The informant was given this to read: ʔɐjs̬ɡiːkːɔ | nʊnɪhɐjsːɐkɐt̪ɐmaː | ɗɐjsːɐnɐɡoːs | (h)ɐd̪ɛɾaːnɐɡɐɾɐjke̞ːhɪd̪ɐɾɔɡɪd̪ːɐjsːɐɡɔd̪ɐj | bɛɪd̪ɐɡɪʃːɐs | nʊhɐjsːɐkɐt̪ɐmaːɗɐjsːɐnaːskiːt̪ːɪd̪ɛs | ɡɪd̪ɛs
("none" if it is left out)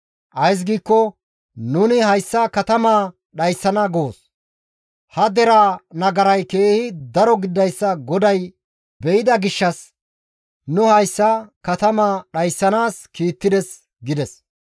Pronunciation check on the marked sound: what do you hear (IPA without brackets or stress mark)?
h